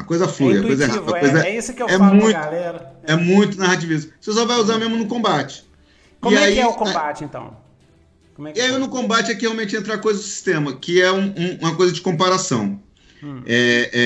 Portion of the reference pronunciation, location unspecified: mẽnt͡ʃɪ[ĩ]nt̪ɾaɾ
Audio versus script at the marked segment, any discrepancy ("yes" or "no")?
yes